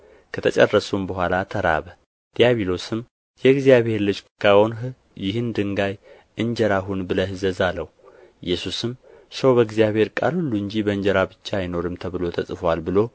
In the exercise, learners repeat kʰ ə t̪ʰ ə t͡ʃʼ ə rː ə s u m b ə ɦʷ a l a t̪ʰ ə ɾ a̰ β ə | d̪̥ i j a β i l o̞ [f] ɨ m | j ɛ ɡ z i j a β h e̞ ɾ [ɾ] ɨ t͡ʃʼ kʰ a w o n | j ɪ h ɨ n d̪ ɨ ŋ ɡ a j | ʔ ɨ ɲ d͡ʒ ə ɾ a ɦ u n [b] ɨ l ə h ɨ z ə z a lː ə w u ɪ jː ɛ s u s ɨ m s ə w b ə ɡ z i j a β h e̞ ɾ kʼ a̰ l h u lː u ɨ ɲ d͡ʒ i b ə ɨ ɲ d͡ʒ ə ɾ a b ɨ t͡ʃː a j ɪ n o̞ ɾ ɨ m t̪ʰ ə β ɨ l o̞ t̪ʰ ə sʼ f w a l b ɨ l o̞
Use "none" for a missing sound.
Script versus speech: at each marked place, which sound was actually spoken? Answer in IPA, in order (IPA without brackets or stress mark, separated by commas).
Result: s, l, b